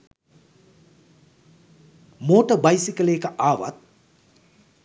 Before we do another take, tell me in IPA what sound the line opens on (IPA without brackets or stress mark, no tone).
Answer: m